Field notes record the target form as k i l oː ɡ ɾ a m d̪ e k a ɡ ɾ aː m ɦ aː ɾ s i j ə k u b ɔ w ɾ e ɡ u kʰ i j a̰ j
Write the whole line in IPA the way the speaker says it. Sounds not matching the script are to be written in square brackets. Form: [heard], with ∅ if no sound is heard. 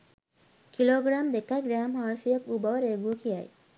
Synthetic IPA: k i l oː ɡ ɾ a m d̪ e k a ɡ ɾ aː m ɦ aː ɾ s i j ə k u b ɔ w ɾ e ɡ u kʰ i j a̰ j